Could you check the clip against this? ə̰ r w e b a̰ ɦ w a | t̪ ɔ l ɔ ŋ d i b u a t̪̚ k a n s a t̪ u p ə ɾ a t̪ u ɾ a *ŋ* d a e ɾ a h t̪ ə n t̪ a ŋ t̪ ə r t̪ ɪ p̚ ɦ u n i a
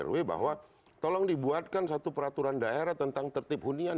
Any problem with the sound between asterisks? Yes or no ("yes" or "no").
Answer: yes